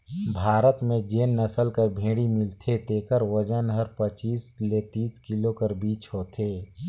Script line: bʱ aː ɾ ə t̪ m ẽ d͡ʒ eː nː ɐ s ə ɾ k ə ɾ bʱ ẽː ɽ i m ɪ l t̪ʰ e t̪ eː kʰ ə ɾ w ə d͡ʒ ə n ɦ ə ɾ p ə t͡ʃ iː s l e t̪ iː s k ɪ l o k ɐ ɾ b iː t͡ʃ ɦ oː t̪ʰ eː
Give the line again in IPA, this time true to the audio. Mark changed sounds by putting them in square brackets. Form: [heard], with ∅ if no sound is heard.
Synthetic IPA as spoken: bʱ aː ɾ ə t̪ m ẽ d͡ʒ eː nː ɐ s ə [l] k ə ɾ bʱ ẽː ɽ i m ɪ l t̪ʰ e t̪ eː [k] ə ɾ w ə d͡ʒ ə n ɦ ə ɾ p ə t͡ʃ iː s l e t̪ iː s k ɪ l o k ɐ ɾ b iː t͡ʃ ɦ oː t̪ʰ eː